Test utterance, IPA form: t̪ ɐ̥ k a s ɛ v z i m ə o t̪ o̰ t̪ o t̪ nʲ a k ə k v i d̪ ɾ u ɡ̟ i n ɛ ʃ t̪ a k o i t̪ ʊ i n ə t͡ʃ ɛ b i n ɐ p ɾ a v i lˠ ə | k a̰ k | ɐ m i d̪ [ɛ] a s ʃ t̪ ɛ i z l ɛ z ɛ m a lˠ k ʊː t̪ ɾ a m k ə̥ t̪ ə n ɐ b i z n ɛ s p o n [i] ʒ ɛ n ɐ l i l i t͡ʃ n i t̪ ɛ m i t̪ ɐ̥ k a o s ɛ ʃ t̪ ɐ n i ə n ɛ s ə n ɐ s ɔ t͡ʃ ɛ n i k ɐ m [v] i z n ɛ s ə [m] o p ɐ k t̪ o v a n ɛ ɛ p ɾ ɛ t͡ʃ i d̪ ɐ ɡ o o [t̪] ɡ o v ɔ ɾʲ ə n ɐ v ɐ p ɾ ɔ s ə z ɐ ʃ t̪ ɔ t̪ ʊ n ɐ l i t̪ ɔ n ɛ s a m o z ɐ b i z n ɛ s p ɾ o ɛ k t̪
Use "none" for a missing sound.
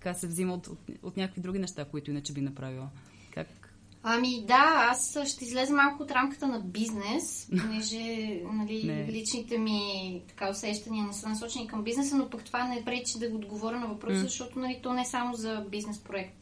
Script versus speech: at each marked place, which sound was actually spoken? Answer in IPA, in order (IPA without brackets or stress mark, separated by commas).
a, ɛ, b, n, d̪